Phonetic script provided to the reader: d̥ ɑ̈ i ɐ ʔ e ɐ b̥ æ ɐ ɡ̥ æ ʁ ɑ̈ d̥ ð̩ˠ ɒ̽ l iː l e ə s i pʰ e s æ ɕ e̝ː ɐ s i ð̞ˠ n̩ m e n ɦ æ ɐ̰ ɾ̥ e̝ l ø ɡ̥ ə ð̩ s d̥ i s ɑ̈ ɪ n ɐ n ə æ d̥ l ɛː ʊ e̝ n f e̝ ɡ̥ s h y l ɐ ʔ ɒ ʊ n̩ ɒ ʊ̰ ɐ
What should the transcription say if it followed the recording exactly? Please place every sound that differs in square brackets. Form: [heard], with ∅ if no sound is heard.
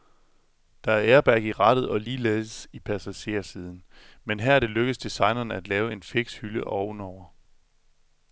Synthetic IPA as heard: d̥ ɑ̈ [æ] ɐ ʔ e ɐ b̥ æ ɐ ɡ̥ [i] ʁ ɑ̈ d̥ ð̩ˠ ɒ̽ l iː l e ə s i pʰ [æ] s æ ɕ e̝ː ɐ s i ð̞ˠ n̩ m e n ɦ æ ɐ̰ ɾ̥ e̝ l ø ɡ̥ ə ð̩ s d̥ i s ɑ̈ ɪ n ɐ n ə æ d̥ l ɛː ʊ e̝ n f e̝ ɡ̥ s h y l [ə] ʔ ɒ ʊ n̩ ɒ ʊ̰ ɐ